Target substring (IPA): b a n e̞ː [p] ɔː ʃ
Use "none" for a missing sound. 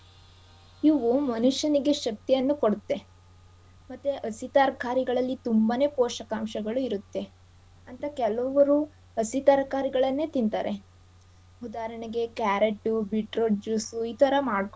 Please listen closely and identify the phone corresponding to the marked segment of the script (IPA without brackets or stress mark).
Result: p